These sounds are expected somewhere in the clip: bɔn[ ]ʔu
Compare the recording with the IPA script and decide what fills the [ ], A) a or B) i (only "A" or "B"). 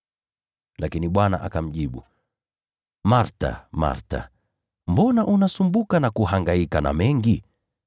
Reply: A